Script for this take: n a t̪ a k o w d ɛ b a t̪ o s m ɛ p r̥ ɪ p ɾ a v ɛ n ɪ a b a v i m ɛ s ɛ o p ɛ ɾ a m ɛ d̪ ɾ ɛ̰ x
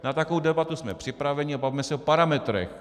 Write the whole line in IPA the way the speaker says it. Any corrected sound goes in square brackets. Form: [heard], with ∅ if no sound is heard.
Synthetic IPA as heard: n a t̪ a k o w d ɛ b a t̪ [u] s m ɛ p r̥ ɪ p ɾ a v ɛ [ɲ] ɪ a b a v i m ɛ s ɛ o p [a] ɾ a m ɛ [t̪] ɾ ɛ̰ x